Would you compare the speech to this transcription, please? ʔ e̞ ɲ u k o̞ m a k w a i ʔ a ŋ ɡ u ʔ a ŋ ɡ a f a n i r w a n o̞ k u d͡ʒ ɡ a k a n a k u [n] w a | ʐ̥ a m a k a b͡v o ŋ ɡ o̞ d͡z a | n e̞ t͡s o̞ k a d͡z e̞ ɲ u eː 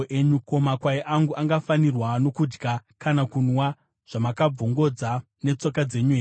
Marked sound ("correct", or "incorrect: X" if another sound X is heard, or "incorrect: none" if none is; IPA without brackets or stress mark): correct